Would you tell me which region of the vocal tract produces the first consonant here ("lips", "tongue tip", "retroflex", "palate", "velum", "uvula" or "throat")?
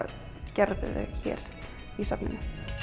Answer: palate